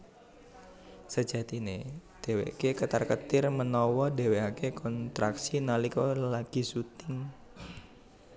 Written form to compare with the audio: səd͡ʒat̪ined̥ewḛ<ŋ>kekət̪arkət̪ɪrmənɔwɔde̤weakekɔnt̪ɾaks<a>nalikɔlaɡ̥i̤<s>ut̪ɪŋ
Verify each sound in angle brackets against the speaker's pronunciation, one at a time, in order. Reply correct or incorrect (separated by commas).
incorrect, incorrect, correct